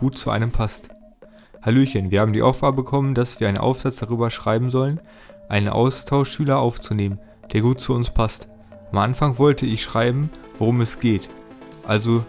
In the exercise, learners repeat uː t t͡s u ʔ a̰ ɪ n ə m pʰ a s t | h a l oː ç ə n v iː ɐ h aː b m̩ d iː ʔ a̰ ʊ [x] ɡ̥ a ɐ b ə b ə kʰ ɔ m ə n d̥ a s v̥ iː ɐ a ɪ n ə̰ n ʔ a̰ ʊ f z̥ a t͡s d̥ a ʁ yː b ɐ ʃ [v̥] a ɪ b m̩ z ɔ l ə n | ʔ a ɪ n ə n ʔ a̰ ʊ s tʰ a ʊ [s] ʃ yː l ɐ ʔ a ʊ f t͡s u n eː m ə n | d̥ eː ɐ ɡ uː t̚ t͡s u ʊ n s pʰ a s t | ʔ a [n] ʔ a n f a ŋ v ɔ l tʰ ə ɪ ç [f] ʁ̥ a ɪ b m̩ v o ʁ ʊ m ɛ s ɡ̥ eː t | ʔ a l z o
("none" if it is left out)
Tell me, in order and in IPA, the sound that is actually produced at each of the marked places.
f, ʁ̥, ʃ, m, ʃ

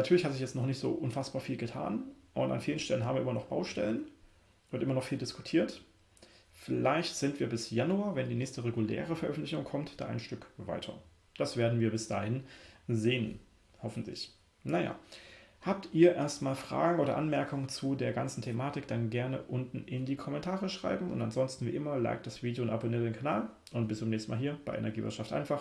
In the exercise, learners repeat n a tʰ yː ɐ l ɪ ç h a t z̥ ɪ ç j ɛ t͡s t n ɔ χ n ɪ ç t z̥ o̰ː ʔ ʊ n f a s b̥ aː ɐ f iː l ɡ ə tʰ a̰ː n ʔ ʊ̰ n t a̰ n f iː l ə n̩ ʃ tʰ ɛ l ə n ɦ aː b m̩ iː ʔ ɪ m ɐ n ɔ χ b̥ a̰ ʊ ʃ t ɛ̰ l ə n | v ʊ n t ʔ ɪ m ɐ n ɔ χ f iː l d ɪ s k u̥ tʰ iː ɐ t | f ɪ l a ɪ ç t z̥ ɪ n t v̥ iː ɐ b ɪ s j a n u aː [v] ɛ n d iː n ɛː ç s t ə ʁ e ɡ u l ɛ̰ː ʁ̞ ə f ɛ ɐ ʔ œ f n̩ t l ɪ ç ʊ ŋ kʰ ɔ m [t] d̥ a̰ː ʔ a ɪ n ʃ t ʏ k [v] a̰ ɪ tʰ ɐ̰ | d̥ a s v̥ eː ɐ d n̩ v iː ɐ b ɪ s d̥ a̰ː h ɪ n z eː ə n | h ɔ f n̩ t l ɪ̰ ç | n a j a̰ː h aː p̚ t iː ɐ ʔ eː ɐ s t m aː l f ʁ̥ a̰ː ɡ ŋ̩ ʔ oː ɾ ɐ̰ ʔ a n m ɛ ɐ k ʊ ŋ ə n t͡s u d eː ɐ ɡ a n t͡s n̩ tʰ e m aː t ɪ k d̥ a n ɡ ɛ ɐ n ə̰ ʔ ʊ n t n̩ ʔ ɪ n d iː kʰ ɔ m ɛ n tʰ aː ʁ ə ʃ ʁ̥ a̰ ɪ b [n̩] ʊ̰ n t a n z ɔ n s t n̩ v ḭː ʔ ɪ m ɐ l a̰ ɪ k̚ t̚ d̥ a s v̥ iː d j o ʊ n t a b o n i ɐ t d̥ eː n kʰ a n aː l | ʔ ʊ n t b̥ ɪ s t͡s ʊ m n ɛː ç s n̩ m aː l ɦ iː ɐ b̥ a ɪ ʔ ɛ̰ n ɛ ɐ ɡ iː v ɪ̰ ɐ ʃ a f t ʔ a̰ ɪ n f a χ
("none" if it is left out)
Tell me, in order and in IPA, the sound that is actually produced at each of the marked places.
v, t, v, m̩

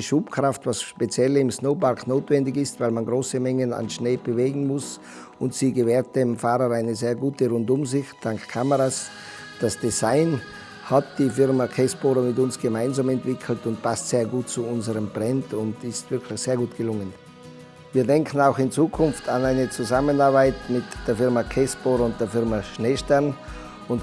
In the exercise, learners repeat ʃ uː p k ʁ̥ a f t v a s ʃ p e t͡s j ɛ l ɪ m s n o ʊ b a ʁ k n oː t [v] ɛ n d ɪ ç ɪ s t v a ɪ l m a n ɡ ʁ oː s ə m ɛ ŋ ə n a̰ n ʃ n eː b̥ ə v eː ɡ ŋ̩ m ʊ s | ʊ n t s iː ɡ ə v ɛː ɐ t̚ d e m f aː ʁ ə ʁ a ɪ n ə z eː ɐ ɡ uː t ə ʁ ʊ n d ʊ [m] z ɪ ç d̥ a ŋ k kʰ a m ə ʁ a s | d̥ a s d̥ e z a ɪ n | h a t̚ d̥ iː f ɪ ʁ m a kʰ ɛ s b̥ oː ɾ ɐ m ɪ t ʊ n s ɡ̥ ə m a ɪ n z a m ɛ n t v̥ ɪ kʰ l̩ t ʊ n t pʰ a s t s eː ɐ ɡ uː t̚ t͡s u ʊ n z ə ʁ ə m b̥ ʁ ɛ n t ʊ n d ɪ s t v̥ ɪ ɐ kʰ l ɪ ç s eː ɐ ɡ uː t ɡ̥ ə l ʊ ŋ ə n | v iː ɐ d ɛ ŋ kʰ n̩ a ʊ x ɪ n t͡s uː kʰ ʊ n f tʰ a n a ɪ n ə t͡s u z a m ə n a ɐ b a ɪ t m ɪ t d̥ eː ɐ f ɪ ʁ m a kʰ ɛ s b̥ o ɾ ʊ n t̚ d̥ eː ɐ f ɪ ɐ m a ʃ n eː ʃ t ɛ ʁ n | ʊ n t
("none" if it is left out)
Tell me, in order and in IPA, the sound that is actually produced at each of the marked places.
v, m

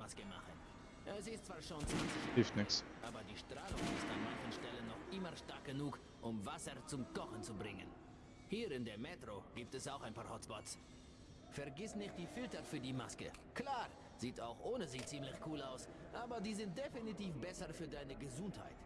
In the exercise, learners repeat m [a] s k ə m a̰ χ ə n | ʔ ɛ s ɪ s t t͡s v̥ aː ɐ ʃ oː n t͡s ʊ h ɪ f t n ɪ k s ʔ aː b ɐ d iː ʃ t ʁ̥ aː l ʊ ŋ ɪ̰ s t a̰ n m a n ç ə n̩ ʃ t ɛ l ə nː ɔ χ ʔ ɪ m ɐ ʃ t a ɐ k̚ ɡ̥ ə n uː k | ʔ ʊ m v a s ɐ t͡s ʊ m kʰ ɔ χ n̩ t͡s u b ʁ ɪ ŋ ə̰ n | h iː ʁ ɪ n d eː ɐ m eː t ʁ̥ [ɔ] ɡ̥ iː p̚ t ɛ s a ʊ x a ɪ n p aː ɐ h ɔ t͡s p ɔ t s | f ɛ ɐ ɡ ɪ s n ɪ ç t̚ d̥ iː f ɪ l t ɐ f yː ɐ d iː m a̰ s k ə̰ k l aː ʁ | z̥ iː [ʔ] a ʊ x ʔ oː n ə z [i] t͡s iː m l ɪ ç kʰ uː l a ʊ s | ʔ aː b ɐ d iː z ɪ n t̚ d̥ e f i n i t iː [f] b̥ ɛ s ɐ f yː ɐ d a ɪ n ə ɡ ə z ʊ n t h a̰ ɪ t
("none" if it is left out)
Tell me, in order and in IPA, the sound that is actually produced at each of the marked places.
a, o, t, iː, f

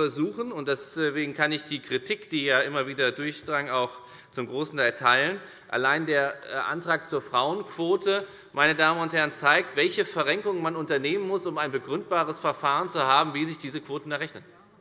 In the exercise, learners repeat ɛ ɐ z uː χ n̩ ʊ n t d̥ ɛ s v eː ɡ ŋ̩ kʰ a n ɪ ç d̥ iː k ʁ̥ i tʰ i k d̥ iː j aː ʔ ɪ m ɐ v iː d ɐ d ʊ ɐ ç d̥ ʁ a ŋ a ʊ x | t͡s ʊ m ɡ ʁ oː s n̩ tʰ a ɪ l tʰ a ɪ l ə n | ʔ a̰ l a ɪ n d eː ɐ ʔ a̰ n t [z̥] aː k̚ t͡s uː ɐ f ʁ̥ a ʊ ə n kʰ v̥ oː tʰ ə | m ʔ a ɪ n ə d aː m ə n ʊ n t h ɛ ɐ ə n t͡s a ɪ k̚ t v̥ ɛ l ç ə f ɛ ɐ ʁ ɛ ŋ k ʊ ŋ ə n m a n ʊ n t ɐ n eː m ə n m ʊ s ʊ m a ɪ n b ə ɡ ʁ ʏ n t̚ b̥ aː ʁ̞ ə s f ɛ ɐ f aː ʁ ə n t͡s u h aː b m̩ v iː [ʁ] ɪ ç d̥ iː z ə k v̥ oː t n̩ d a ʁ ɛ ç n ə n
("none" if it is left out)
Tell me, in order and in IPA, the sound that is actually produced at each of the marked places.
ʁ̥, z

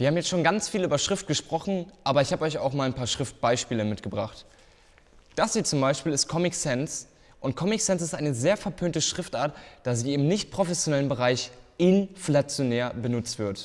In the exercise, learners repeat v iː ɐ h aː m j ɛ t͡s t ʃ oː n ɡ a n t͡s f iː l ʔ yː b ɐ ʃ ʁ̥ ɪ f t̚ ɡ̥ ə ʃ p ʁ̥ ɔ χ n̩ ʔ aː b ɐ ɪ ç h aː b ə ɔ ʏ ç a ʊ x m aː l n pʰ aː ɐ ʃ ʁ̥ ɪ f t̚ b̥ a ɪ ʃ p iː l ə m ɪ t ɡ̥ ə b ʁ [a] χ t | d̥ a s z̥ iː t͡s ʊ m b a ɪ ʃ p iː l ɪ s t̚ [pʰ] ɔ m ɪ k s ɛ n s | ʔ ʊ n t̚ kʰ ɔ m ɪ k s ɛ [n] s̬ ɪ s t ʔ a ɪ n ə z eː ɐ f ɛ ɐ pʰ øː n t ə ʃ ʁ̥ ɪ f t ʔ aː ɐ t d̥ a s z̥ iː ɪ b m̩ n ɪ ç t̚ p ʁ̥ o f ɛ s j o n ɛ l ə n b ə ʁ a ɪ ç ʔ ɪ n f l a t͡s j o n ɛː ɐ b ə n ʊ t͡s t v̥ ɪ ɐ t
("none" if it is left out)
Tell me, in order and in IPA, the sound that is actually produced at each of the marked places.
a, kʰ, n

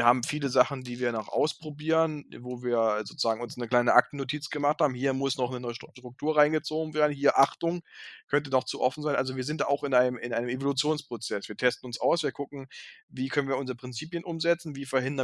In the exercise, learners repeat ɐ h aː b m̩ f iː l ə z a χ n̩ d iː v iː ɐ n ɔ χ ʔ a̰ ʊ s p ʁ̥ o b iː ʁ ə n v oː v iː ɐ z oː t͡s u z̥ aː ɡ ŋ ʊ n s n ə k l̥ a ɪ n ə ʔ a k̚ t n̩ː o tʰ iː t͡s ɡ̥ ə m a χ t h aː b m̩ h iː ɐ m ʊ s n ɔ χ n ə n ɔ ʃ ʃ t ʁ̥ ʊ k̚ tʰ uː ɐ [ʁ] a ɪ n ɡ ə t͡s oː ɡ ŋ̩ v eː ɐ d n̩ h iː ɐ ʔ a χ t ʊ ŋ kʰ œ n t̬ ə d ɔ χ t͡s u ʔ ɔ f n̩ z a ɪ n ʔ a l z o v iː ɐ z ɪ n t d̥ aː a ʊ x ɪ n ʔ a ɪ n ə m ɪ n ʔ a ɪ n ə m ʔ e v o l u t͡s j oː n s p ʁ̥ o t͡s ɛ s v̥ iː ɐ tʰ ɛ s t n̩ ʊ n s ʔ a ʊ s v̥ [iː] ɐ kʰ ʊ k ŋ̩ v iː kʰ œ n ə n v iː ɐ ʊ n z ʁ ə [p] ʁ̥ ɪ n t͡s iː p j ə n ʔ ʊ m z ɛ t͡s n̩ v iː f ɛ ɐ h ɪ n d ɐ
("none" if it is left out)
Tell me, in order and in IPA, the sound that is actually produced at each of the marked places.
ʁ, iː, p

